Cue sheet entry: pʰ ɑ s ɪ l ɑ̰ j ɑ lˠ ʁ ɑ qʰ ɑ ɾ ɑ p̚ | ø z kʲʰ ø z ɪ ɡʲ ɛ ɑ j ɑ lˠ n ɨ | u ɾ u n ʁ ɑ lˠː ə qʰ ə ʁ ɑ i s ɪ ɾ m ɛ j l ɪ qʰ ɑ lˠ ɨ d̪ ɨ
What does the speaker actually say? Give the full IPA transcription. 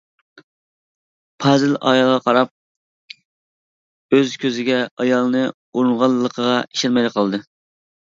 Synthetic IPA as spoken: pʰ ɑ z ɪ l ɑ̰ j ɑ lˠ ʁ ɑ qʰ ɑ ɾ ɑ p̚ | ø z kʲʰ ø z ɪ ɡʲ ɛ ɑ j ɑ lˠ n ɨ | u ɾ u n ʁ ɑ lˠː ə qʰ ə ʁ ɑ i ʃ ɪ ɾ m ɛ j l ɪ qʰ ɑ lˠ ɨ d̪ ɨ